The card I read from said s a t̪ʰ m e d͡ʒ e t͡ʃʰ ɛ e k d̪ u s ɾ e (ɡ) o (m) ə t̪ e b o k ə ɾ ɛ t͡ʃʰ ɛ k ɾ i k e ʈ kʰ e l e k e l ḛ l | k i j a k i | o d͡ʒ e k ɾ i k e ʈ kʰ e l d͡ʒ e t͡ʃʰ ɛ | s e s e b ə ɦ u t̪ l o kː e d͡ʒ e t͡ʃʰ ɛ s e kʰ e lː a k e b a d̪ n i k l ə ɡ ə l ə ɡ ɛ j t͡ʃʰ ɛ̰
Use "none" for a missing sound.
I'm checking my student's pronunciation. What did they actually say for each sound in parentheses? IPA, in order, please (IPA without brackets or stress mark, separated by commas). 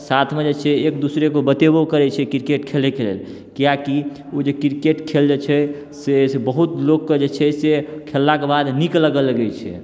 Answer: k, b